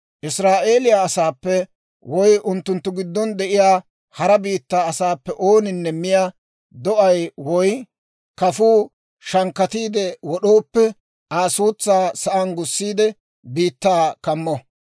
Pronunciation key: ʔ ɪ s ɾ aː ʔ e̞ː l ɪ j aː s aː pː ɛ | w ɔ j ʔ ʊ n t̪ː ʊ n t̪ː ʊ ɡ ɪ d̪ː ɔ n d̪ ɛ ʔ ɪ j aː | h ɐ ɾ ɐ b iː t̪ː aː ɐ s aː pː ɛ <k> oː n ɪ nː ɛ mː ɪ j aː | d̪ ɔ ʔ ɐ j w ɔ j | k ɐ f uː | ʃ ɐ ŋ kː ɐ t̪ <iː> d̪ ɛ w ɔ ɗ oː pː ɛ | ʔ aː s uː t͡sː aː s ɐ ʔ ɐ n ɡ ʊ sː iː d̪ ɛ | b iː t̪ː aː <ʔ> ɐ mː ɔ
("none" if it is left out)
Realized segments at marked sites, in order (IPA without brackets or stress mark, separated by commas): ʔ, iː, k